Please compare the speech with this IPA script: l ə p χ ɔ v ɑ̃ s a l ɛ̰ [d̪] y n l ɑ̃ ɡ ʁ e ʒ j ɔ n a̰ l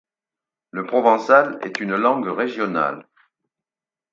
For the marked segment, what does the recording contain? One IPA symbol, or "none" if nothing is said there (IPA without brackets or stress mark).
t̪